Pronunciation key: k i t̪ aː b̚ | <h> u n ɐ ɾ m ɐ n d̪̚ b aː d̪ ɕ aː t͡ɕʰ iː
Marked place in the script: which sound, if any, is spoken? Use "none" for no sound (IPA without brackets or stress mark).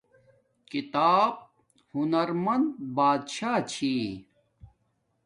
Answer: h